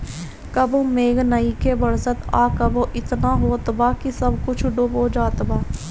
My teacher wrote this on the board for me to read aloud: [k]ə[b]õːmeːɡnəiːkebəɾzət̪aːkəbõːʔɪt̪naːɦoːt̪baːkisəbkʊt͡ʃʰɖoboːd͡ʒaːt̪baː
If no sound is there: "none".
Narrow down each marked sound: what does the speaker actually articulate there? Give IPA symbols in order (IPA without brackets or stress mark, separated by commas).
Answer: k, b